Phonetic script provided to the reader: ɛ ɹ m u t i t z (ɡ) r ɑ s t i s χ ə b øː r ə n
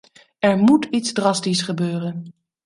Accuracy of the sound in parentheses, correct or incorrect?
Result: incorrect